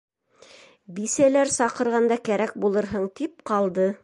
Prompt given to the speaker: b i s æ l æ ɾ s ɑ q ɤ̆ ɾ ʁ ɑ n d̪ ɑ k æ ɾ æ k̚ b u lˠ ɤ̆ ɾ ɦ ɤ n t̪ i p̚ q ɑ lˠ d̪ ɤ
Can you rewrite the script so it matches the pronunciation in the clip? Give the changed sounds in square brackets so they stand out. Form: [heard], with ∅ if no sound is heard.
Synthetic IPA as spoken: b i s æ l æ ɾ s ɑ q ɤ̆ ɾ ʁ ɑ n d̪ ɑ k æ ɾ æ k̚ b u lˠ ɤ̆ ɾ ɦ ɤ [ɴ] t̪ i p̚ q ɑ lˠ d̪ ɤ